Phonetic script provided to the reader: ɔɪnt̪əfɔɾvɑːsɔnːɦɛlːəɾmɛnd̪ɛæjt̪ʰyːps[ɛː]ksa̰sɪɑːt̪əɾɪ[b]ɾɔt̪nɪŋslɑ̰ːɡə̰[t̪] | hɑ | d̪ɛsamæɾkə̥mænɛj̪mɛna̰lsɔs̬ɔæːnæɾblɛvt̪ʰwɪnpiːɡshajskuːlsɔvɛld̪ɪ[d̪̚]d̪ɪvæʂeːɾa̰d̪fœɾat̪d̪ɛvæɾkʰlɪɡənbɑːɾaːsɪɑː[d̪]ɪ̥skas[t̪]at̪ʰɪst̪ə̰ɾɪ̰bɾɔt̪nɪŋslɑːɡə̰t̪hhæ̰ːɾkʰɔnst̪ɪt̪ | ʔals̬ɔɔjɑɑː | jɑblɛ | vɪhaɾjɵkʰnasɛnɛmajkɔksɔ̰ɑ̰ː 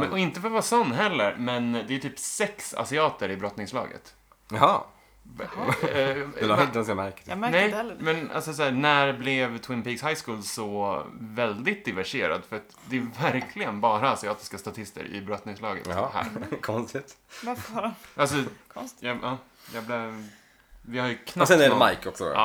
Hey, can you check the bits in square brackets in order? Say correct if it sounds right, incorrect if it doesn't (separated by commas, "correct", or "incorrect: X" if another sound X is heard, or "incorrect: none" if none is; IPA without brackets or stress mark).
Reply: incorrect: ɛ, correct, correct, incorrect: t̪̚, incorrect: t̪, correct